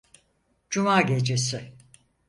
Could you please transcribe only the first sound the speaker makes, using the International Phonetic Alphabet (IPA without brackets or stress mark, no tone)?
d͡ʒ